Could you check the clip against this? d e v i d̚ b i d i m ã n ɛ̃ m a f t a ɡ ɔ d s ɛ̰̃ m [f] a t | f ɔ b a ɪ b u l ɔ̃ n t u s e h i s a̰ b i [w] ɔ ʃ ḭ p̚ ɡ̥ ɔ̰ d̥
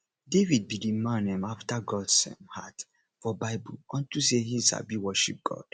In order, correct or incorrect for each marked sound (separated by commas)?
incorrect, correct